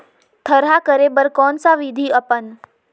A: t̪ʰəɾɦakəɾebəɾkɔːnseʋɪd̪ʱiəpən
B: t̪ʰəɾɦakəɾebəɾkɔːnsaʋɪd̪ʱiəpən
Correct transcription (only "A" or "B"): B